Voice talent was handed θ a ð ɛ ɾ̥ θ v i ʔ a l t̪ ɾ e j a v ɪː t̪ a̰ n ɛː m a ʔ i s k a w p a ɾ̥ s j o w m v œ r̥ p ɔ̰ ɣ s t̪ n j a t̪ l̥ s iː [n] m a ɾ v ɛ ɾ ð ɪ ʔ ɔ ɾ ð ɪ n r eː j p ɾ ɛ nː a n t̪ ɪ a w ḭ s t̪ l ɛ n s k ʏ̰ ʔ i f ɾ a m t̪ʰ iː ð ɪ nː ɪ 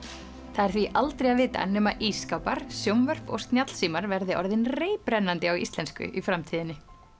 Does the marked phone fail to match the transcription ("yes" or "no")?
yes